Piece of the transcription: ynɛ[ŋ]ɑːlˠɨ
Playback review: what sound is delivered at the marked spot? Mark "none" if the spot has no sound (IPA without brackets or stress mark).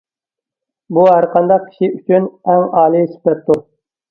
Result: ŋ